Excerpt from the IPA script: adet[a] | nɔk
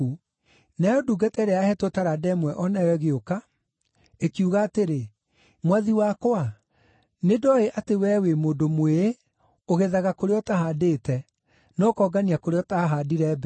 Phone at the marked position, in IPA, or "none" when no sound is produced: ɛ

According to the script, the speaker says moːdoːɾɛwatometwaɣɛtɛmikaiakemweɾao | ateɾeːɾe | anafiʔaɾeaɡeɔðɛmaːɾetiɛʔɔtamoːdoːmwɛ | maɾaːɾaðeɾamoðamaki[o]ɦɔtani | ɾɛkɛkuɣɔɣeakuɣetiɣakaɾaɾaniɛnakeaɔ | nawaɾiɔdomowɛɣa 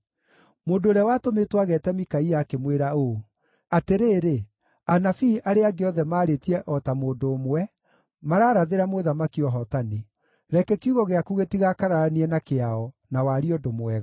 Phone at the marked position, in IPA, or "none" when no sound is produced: ɔ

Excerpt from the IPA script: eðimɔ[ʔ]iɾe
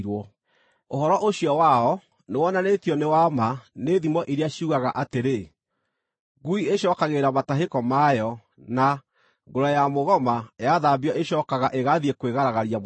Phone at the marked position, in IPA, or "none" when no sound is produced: ʔ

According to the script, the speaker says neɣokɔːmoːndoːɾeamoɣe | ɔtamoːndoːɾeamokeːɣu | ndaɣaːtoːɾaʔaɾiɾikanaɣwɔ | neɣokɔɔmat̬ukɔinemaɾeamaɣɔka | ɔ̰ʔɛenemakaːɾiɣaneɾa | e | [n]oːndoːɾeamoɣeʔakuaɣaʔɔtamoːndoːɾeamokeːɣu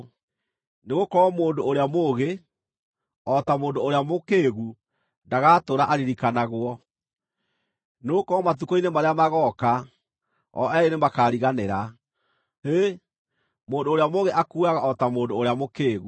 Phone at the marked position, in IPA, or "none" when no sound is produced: m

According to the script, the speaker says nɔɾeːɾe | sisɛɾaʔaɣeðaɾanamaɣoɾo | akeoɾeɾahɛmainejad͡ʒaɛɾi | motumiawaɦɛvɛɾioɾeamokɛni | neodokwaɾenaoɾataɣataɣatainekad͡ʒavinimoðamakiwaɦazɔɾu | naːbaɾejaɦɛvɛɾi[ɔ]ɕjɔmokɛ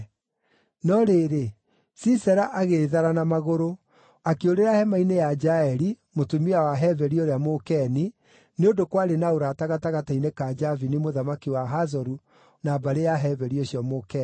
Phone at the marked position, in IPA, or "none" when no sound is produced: o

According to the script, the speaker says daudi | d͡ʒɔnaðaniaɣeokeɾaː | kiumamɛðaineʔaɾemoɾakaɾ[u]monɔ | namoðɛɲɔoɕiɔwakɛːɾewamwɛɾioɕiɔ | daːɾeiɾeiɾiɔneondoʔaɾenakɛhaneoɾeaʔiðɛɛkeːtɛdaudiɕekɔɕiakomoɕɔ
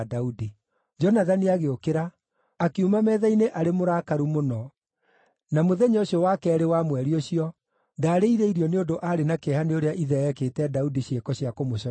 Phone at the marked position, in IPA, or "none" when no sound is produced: u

